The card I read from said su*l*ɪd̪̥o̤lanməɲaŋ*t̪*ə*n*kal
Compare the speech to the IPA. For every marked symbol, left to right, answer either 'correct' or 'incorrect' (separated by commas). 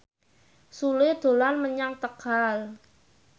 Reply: correct, correct, incorrect